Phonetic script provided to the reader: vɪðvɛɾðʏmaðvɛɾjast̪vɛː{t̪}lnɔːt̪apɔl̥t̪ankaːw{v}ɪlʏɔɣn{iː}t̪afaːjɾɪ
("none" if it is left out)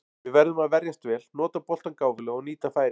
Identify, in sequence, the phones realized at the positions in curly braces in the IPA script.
none, v, iː

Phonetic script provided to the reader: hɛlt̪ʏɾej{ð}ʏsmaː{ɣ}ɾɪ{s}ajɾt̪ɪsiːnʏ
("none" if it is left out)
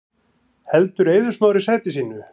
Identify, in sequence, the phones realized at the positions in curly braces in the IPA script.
ð, w, s

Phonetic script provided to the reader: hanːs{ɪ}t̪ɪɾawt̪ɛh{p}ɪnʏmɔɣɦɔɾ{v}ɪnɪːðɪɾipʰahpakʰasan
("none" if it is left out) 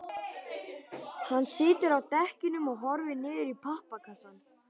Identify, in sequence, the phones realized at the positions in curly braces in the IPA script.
ɪː, c, v

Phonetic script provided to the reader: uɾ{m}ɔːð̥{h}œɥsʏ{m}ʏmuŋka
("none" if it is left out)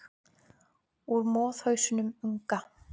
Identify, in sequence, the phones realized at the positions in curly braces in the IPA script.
m, h, n

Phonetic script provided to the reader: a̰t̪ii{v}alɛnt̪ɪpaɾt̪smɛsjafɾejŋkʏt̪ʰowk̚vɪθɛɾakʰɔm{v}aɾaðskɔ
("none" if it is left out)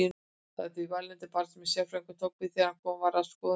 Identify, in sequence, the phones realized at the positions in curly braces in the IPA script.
v, v

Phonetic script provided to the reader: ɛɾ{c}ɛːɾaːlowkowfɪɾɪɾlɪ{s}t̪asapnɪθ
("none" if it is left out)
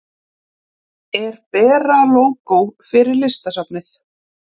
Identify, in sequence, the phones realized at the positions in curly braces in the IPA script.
p, s

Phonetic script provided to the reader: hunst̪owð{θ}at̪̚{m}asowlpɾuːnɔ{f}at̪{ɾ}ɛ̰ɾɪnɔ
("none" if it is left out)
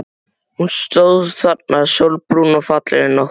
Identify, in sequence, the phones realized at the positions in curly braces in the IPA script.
θ, n, f, l

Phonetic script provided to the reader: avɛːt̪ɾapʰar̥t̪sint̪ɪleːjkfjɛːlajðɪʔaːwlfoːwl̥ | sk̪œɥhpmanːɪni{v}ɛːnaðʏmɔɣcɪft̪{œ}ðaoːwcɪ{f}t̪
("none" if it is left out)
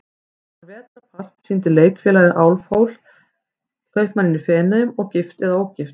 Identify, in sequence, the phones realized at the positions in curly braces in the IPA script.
f, ɛ, f

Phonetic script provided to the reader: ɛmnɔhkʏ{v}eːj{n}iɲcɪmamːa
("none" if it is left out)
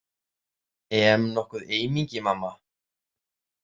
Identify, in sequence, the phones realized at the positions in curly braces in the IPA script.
ð, m

